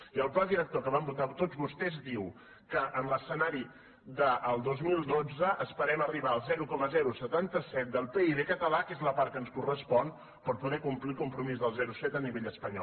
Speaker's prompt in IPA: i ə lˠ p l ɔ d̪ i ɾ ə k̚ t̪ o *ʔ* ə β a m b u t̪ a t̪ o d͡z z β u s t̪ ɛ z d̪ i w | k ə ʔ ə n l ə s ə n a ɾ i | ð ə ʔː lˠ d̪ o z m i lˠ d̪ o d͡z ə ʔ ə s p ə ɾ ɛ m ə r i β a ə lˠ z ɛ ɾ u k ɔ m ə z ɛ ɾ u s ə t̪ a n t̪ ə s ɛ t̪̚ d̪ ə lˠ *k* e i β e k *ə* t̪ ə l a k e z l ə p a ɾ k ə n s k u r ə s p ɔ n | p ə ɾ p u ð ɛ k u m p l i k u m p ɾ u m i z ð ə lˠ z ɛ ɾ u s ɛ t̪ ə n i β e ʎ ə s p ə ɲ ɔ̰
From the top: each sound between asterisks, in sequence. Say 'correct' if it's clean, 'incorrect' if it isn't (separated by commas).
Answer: incorrect, incorrect, correct